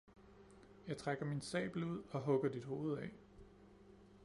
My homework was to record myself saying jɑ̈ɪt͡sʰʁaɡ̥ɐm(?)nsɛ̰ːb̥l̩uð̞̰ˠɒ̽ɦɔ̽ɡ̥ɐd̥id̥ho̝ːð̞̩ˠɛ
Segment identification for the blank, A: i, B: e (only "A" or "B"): A